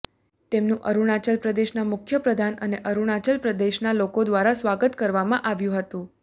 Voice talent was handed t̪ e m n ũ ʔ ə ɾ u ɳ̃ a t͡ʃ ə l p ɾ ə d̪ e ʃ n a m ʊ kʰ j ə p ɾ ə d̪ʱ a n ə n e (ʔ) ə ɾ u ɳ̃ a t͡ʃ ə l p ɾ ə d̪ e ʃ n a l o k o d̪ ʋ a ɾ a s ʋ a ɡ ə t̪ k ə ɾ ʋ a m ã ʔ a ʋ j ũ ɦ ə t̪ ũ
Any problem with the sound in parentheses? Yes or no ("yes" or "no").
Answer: no